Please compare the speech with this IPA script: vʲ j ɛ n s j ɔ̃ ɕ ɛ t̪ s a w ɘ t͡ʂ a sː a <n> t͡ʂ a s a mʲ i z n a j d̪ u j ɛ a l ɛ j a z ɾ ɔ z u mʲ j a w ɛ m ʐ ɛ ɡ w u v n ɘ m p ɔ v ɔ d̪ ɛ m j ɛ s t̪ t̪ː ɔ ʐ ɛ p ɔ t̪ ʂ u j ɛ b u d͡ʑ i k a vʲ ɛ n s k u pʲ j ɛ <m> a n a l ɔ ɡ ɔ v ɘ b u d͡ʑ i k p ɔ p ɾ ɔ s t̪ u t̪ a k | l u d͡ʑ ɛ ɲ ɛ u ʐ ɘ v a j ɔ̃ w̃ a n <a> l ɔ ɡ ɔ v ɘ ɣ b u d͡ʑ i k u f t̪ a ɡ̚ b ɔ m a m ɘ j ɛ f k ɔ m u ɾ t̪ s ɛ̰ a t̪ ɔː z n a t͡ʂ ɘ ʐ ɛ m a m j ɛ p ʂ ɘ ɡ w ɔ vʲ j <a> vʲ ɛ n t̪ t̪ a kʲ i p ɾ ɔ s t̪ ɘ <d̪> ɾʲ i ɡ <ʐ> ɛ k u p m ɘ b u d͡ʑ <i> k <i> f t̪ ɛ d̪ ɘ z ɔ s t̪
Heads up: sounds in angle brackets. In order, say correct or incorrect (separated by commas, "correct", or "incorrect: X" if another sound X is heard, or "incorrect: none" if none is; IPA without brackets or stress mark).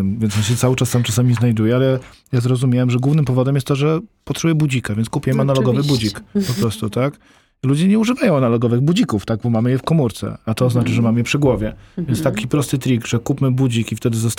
incorrect: m, correct, correct, incorrect: ɛ, incorrect: t̪, correct, correct, correct